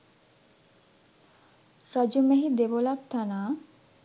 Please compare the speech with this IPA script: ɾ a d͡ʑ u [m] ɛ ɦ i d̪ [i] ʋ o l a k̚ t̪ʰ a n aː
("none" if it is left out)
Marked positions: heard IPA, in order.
m, e

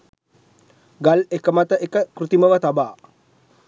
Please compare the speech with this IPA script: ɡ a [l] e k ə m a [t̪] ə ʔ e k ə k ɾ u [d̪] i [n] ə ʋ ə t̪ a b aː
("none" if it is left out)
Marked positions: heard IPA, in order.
l, t̪, t̪, m

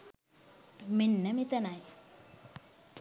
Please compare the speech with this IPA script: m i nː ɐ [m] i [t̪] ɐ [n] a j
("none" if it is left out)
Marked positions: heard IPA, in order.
m, t̪, n

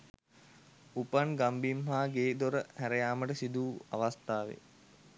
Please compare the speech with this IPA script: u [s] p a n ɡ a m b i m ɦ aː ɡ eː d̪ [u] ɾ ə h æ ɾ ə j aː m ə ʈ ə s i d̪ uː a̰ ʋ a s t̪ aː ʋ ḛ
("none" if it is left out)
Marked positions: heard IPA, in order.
none, o

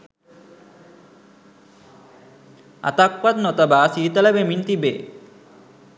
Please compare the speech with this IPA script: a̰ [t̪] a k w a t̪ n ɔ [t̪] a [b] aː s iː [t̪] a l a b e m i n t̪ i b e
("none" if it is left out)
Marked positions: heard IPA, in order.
t̪, t̪, b, t̪

